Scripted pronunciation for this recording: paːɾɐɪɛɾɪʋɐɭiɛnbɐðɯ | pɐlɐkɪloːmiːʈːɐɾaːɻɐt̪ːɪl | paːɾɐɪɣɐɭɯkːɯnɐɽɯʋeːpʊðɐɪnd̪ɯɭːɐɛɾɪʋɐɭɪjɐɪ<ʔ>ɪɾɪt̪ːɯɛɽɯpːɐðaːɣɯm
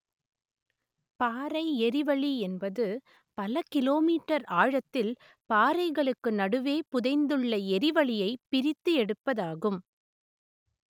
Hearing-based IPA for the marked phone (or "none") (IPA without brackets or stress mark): p